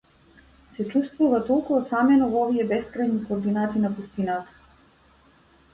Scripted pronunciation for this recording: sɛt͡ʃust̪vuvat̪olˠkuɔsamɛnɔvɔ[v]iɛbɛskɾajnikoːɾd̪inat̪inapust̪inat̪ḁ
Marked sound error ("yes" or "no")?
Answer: no